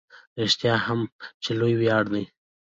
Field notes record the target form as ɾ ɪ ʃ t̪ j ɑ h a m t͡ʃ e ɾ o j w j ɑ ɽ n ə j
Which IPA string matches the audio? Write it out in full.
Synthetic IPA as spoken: ɾ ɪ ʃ t̪ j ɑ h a m t͡ʃ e l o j w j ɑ ɽ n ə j